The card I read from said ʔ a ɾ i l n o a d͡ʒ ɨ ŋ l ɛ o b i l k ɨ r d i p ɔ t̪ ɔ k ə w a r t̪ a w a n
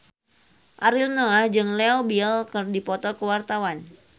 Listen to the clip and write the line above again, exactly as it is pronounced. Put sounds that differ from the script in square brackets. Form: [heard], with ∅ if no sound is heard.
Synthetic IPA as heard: ʔ a ɾ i l n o a d͡ʒ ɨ ŋ l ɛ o b i l k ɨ r d i p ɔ t̪ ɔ k ə w a r t̪ a w a n